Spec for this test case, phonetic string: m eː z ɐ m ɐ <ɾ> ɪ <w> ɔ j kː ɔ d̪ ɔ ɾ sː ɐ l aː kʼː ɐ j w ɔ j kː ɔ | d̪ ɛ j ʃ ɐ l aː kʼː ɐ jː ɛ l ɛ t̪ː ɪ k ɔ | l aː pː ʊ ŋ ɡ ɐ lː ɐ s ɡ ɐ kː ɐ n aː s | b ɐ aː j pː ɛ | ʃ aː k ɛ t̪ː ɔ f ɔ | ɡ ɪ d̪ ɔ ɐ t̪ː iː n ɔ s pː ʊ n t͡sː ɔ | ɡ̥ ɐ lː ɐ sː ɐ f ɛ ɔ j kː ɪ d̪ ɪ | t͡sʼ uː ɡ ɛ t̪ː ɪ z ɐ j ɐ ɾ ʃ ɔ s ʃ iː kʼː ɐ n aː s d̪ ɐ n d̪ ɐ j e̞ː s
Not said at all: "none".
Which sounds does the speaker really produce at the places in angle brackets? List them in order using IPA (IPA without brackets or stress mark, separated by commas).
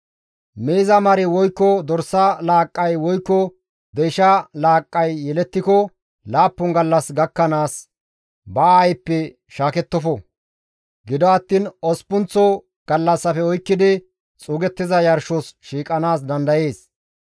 ɾ, w